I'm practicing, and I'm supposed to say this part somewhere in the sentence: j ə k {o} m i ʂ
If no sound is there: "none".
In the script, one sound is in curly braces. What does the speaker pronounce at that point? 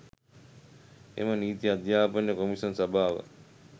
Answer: o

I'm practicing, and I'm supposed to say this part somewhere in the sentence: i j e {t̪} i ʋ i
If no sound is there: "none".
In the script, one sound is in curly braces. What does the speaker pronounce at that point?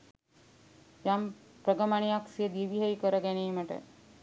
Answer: d̪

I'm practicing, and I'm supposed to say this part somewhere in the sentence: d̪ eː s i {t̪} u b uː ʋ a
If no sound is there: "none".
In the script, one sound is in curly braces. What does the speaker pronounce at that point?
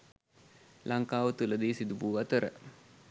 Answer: d̪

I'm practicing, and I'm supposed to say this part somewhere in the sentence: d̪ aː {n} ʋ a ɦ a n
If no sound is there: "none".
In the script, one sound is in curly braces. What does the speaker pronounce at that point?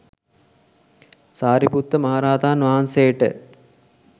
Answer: n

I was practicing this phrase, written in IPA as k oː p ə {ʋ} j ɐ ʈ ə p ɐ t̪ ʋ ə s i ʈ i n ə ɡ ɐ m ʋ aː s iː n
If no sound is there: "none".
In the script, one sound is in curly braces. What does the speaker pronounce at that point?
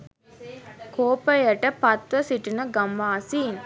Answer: none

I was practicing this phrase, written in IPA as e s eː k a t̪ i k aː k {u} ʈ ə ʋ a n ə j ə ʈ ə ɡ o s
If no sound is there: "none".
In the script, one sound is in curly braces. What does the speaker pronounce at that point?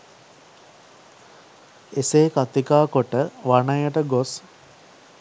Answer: o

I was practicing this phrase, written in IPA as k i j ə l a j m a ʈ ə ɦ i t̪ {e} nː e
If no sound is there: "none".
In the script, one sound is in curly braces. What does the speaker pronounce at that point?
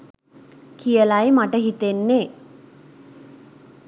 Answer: e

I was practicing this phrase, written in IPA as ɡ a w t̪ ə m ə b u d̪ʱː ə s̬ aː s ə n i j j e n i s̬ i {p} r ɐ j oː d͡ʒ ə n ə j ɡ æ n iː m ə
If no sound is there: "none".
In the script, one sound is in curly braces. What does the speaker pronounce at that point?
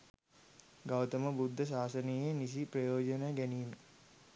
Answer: p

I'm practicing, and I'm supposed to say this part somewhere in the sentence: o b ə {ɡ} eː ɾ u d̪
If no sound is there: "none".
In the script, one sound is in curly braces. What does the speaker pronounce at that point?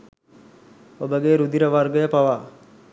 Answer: ɡ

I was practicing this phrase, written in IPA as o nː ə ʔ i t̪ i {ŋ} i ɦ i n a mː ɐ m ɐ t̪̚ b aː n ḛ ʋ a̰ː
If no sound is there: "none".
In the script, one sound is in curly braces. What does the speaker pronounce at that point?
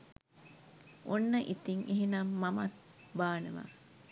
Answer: ŋ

